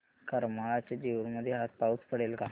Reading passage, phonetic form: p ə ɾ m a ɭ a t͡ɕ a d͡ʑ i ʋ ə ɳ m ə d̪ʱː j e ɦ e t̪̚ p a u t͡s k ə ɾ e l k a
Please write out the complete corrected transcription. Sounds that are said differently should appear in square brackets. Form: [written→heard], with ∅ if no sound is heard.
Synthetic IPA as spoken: [p→k] ə ɾ m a ɭ a t͡ɕ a d͡ʑ i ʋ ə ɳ m ə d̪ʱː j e ɦ [e→a] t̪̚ p a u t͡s [k→p] ə [ɾ→ɽ] e l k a